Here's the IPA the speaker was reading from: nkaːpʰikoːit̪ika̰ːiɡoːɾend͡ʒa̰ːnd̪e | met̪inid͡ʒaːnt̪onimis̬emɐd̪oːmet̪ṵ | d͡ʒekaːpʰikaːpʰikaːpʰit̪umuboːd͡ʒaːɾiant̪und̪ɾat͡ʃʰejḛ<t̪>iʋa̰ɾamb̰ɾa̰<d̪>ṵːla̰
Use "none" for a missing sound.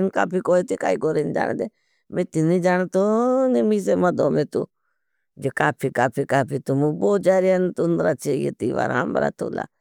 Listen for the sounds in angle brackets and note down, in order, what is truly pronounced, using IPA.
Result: t̪, t̪

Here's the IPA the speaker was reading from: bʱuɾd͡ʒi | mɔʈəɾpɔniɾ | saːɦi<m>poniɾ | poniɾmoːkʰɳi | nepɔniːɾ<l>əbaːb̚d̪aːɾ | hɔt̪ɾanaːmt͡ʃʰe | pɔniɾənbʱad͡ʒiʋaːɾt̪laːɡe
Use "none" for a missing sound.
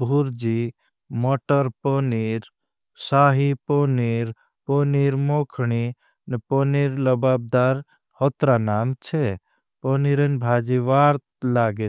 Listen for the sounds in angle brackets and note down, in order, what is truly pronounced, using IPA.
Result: none, l

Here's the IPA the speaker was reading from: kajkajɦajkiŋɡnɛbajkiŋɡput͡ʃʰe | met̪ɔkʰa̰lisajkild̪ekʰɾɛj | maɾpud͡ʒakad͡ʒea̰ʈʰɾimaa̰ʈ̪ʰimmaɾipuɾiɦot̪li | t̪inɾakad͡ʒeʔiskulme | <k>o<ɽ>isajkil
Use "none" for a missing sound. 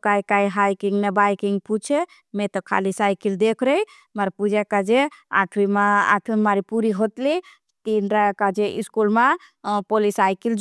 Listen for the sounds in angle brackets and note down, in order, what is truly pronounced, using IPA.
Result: p, l

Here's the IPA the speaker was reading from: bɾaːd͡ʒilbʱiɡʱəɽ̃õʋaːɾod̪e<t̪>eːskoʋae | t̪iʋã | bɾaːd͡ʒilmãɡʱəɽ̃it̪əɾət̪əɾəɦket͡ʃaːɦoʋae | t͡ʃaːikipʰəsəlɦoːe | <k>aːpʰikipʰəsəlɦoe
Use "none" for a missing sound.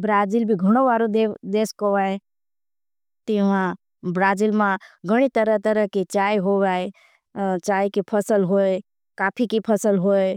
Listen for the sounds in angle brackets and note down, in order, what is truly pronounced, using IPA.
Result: d̪, k

